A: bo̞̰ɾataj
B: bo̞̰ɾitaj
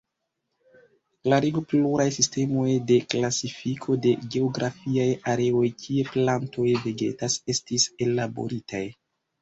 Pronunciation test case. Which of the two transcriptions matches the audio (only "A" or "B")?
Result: B